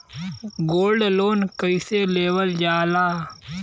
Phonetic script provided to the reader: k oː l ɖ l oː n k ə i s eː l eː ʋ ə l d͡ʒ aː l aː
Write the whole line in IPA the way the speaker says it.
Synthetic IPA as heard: ɡ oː l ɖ l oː n k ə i s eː l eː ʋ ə l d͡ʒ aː l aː